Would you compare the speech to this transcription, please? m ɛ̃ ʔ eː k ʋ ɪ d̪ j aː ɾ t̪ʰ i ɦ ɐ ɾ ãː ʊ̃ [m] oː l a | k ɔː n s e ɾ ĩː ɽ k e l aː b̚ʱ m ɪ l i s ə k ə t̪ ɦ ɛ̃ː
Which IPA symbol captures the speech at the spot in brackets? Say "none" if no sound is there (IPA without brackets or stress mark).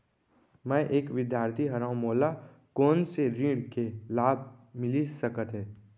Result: m